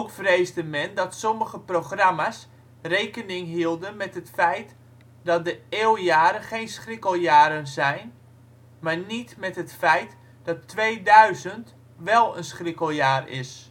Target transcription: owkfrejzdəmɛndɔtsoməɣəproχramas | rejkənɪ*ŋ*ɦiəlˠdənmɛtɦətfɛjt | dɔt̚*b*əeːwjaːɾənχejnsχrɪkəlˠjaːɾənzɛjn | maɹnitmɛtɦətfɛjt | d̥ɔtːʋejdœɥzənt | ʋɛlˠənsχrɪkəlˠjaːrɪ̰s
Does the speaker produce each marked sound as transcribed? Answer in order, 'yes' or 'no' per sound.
yes, no

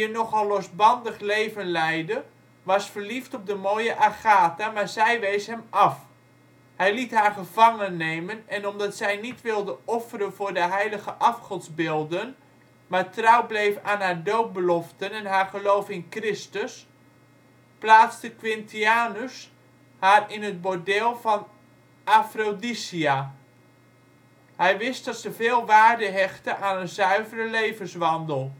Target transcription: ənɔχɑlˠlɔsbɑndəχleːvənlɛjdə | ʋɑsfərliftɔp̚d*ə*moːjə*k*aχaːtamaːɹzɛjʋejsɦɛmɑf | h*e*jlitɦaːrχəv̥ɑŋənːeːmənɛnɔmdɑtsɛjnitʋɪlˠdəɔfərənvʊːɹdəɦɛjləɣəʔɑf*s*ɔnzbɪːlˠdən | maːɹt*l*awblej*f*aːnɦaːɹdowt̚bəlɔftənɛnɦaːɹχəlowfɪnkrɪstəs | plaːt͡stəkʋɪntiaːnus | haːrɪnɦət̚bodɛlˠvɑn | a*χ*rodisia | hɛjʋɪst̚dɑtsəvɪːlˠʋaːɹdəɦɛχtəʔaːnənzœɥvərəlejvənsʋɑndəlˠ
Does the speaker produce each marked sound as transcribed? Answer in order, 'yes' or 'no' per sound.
yes, no, no, no, no, yes, no

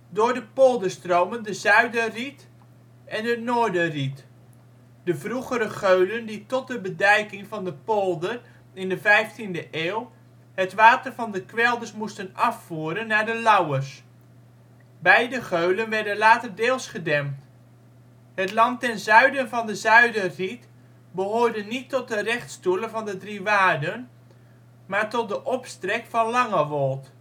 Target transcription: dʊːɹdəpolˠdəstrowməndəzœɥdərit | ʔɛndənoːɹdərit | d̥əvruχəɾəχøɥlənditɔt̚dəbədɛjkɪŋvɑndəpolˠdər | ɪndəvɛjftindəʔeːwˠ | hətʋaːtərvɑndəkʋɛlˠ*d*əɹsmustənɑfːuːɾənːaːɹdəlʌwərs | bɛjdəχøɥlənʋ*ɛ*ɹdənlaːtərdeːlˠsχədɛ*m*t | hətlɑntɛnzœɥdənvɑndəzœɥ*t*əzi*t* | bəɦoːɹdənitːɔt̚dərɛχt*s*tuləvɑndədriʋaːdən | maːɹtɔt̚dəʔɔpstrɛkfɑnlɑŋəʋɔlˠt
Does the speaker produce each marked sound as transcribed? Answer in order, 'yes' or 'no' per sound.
yes, yes, yes, no, yes, yes

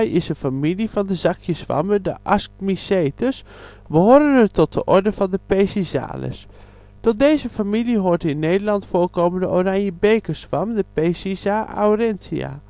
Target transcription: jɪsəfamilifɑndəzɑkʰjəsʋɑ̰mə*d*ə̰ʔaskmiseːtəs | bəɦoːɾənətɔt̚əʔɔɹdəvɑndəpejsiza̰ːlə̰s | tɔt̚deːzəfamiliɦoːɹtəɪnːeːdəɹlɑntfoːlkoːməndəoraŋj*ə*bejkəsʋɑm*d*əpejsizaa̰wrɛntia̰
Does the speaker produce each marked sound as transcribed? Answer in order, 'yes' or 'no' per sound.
yes, yes, yes

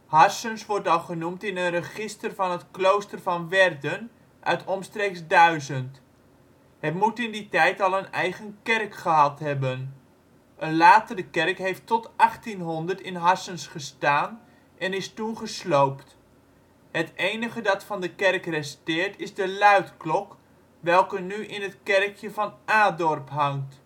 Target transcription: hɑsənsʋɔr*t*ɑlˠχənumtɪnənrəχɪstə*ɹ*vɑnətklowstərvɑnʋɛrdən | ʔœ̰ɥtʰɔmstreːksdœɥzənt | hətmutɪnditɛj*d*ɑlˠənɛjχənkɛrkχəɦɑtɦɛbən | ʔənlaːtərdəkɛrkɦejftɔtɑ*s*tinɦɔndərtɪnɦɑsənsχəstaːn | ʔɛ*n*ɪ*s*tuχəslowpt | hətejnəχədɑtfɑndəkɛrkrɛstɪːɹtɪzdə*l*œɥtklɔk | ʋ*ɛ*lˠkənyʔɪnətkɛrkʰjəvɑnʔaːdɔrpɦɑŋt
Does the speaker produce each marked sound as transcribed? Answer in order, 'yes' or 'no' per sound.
yes, no, no, no, yes, yes, yes, yes

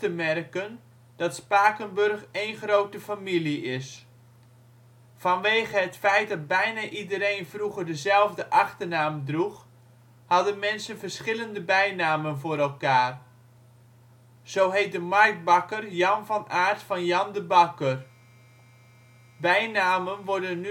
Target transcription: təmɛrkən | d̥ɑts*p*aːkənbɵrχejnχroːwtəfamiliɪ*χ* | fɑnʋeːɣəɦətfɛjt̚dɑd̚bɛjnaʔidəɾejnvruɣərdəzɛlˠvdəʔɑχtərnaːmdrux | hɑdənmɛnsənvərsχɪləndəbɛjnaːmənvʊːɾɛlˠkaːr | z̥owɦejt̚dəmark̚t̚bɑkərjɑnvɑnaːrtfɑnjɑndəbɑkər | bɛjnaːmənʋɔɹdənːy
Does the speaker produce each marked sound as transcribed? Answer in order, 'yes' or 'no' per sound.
yes, no

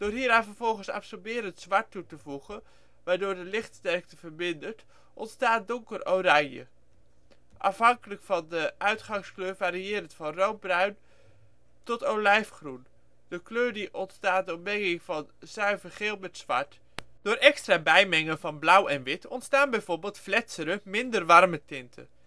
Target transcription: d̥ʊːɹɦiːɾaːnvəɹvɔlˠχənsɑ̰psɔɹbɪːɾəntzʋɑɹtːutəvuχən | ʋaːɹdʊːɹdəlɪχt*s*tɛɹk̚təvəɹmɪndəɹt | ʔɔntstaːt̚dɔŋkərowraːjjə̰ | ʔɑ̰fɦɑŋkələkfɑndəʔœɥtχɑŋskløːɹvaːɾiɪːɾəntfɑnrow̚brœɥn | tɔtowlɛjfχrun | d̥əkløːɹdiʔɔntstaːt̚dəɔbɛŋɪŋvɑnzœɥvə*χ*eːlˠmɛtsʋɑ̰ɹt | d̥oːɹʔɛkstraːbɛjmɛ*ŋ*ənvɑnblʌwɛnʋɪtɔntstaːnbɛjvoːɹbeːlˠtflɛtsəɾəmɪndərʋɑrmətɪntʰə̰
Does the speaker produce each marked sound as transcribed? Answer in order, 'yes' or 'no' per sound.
yes, yes, yes

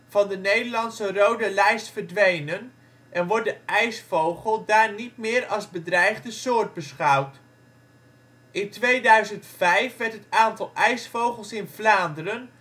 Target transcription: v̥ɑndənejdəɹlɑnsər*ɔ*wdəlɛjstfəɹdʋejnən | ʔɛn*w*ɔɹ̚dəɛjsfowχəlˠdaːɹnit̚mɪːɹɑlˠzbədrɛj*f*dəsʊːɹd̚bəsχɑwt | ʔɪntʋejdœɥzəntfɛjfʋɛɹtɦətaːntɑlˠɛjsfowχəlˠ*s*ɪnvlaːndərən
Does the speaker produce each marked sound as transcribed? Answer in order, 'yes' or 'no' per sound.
no, no, no, yes

